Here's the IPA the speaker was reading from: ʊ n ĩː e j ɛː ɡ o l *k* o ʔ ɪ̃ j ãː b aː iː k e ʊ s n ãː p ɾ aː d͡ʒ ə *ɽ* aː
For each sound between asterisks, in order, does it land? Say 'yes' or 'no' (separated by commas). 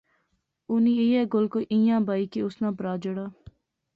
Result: yes, yes